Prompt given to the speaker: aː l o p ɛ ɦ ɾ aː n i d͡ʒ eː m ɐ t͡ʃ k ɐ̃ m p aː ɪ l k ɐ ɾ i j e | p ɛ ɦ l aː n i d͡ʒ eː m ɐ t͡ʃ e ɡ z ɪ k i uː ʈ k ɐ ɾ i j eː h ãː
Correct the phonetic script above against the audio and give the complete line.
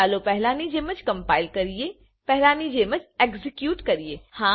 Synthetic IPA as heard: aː l o p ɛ ɦ l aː n i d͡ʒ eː m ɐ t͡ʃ k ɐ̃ m p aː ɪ l k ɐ ɾ i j e | p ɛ ɦ l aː n i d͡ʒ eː m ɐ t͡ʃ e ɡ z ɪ k j uː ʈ k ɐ ɾ i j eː h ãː

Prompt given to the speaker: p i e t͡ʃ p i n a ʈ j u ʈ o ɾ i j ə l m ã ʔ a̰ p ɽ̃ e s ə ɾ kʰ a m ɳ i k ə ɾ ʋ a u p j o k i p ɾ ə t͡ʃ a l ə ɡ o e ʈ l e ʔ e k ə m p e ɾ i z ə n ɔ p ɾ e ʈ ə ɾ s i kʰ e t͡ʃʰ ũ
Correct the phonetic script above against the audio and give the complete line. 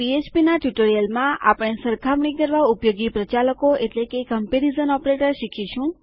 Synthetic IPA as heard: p i e t͡ʃ p i n a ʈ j u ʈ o ɾ i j ə l m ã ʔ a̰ p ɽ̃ e s ə ɾ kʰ a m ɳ i k ə ɾ ʋ a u p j o ɡ i p ɾ ə t͡ʃ a l ə k o e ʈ l e k e k ə m p e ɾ i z ə n ɔ p ɾ e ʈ ə ɾ ʃ i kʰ i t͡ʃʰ ũ

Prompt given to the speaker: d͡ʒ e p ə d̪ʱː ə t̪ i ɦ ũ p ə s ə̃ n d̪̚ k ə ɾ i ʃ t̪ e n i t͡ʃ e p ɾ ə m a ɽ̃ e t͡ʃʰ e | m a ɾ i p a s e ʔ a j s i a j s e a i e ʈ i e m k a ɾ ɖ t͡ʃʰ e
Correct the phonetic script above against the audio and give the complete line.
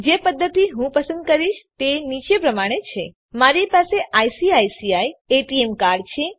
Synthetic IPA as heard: d͡ʒ e p ə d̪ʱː ə t̪ i ɦ ũ p ə s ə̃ n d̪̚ k ə ɾ i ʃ t̪ e n i t͡ʃ e p ɾ ə m a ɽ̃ e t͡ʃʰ e | m a ɾ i p a s e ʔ a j s i a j s i a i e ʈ i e m k a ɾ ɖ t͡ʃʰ e

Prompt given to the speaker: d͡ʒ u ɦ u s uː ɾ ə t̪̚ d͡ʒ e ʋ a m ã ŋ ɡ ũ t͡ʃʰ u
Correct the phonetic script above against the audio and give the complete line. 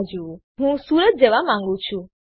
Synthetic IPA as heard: d͡ʒ u ɦ ũ s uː ɾ ə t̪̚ d͡ʒ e ʋ a m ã ŋ ɡ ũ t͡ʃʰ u

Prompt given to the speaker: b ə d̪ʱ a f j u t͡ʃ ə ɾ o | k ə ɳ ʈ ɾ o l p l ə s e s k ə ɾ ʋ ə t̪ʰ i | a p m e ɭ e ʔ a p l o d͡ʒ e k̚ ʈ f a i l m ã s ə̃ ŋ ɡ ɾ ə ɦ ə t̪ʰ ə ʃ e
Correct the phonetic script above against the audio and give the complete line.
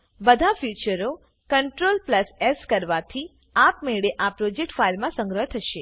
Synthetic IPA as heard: b ə d̪ʱ a f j u t͡ʃ ə ɾ o | k ə ɳ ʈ ɾ o l p l ə s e s k ə ɾ ʋ a t̪ʰ i | a p m e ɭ e ʔ a p ɾ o d͡ʒ e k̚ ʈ f a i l m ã s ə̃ ŋ ɡ ɾ ə ɦ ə t̪ʰ ə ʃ e

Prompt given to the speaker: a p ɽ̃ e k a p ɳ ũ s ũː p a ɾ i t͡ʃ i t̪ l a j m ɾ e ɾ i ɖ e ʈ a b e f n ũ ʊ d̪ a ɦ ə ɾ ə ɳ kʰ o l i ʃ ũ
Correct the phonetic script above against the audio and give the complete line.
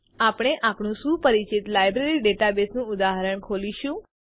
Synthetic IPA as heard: a p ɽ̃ e ʔ a p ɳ ũ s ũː p ə ɾ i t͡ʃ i t̪ l a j b ɾ e ɾ i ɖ e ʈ a b e s n ũ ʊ d̪ a ɦ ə ɾ ə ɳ kʰ o l i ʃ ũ

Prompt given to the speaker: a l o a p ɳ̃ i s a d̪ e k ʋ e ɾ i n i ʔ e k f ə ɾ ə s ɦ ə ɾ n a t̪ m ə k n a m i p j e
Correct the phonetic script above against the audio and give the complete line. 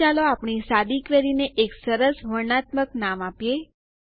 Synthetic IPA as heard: a l o a p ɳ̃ i s a d̪ i k ʋ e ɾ i n e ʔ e k s ə ɾ ə s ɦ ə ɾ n a t̪ m ə k n a m a p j e

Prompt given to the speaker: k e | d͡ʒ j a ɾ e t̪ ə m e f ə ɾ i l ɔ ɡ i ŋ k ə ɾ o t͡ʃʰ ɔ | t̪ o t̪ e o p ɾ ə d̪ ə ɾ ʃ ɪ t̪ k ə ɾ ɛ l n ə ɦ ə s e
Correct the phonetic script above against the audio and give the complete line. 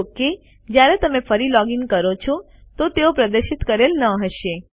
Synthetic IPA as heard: k e | d͡ʒ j a ɾ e t̪ ə m e f ə ɾ i l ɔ ɡ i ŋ k ə ɾ o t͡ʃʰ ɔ | t̪ o t̪ e o p ɾ ə d̪ ə ɾ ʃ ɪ t̪ k ə ɾ e l n ə ɦ ə ʃ e

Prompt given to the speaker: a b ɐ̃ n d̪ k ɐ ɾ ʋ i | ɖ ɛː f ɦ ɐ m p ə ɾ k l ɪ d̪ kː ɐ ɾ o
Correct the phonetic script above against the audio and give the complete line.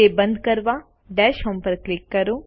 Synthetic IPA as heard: e b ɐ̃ n d̪ k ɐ ɾ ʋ a | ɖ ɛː ʃ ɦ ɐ m p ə ɾ k l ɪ kː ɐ ɾ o

